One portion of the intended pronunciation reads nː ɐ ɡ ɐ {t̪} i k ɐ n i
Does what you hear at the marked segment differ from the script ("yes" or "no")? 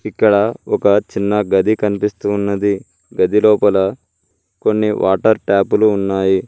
yes